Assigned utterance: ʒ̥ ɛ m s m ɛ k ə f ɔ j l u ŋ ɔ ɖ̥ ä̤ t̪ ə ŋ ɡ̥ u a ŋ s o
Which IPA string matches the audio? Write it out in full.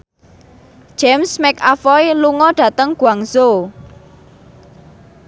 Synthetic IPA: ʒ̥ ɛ m s m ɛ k a f ɔ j l u ŋ ɔ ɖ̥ ä̤ t̪ ə ŋ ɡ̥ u a ŋ s o